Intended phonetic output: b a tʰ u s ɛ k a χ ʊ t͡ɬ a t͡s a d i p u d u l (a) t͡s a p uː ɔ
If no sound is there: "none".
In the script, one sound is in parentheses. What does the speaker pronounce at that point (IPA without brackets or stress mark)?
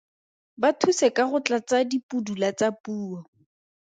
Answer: a